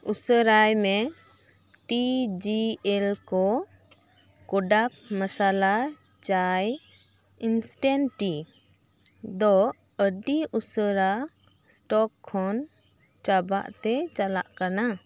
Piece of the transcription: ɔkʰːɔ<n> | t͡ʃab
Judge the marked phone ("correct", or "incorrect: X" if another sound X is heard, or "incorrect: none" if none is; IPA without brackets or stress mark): correct